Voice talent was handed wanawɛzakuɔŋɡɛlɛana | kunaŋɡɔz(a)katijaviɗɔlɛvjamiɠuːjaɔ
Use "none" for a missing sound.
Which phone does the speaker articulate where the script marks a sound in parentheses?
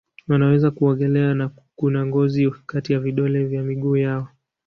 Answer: i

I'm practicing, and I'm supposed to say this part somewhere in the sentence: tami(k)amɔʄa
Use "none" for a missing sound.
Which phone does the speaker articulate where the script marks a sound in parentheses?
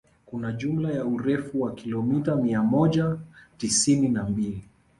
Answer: none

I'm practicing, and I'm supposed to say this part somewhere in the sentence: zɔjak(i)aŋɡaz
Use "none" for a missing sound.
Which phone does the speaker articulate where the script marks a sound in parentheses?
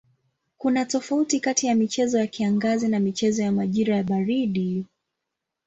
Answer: i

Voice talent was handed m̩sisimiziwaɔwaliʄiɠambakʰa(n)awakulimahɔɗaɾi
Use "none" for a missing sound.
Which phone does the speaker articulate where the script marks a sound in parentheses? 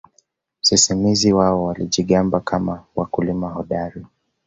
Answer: m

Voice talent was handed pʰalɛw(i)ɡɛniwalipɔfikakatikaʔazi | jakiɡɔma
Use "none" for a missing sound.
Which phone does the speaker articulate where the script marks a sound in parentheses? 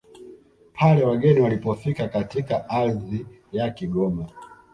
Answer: a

